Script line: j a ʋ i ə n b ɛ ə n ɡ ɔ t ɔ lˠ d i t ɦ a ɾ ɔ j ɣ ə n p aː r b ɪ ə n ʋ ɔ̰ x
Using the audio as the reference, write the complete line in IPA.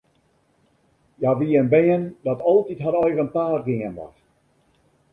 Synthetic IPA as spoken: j a ʋ i ə n b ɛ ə n d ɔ t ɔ lˠ t i t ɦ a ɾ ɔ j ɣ ə n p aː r ɡ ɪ ə n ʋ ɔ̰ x